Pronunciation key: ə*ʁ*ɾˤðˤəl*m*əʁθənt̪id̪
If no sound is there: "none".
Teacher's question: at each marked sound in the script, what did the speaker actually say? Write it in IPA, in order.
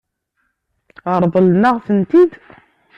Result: none, n

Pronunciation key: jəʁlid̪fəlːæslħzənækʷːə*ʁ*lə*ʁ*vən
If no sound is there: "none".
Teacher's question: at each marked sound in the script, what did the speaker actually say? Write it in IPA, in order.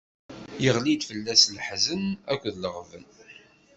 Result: ð, ʁ

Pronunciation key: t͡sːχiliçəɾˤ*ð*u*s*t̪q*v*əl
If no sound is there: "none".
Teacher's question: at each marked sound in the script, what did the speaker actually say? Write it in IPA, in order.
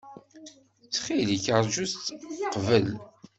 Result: ʒ, s, v

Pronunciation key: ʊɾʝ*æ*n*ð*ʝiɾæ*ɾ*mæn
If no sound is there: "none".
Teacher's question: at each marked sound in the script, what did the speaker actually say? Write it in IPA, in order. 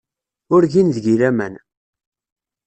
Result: i, ð, none

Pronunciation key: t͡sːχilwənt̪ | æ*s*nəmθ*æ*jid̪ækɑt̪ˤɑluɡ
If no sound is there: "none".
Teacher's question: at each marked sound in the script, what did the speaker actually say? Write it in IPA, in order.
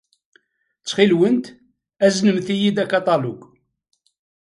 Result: z, i

